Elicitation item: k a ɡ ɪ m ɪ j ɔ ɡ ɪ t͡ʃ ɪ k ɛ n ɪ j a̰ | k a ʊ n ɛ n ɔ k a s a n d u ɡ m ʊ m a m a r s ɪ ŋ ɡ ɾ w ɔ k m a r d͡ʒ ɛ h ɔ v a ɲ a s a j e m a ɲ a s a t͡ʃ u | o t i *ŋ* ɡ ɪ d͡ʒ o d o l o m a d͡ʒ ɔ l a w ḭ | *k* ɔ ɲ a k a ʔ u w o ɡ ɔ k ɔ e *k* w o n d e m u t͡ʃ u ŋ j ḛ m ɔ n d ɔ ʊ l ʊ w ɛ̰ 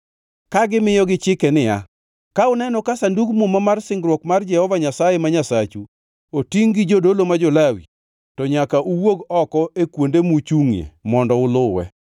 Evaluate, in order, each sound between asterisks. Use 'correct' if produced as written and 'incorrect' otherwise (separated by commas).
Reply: correct, incorrect, correct